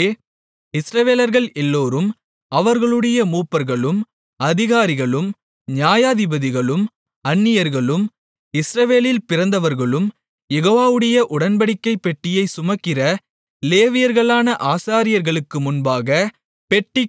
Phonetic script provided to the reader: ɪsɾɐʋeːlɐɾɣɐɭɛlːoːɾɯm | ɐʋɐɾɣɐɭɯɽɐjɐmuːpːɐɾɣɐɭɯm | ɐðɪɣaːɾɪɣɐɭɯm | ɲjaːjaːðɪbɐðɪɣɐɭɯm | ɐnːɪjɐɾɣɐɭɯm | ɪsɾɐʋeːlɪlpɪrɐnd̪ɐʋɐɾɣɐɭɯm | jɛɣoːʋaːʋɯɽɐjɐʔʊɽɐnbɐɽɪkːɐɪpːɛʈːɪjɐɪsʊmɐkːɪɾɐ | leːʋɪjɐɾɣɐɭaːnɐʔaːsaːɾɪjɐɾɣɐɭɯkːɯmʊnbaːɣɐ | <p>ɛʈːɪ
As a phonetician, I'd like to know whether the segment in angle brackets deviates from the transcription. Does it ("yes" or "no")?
no